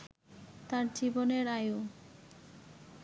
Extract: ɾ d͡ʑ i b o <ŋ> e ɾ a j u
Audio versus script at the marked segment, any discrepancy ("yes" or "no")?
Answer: yes